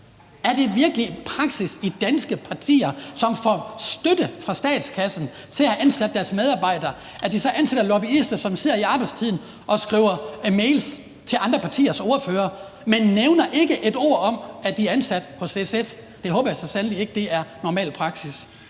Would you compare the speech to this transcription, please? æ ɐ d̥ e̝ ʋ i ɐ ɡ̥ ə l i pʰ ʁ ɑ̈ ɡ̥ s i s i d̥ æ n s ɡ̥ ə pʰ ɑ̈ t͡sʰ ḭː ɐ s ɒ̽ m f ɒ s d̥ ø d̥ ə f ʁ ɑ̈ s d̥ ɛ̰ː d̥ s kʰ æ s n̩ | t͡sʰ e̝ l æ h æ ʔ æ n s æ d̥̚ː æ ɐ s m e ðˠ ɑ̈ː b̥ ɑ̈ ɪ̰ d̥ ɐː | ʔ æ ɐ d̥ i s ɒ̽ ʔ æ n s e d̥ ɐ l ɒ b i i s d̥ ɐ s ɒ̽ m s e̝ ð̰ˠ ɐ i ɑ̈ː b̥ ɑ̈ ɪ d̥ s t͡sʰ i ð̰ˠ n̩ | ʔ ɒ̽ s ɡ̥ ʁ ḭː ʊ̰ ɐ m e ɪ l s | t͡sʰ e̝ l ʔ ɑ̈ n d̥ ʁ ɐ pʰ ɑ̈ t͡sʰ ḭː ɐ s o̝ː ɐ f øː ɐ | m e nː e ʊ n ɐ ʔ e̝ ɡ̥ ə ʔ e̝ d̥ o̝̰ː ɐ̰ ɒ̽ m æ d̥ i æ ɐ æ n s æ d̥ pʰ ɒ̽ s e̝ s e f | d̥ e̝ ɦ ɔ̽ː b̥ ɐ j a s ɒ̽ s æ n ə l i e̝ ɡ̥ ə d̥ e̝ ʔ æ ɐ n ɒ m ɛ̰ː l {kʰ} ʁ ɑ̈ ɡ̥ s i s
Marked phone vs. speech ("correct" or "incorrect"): incorrect